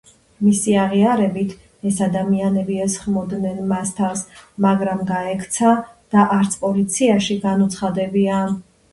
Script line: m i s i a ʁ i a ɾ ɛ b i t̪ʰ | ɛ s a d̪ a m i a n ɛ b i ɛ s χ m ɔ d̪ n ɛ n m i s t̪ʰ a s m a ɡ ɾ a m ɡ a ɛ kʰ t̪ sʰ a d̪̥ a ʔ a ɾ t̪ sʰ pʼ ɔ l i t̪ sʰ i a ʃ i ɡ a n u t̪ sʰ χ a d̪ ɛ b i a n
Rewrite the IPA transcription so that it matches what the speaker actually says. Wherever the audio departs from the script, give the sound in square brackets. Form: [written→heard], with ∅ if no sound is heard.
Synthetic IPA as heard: m i s i a ʁ i a ɾ ɛ b i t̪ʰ | ɛ s a d̪ a m i a n ɛ b i ɛ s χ m ɔ d̪ n ɛ n m [i→a] s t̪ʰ a s m a ɡ ɾ a m ɡ a ɛ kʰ t̪ sʰ a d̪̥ a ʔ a ɾ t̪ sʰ pʼ ɔ l i t̪ sʰ i a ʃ i ɡ a n u t̪ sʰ χ a d̪ ɛ b i a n